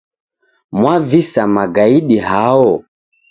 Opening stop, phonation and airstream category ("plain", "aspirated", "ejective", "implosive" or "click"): plain